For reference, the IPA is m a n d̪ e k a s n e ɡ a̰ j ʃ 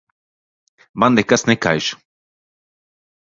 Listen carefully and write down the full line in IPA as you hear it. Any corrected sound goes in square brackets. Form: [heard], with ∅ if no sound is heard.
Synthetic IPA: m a n d̪ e k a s n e [k] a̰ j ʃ